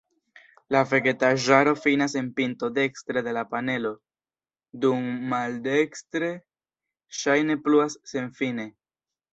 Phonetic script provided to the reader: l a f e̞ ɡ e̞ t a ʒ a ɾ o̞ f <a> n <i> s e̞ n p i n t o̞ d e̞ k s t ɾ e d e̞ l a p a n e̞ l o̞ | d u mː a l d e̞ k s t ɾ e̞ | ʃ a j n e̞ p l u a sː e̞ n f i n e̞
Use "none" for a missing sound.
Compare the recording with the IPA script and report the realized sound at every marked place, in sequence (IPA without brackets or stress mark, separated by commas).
i, a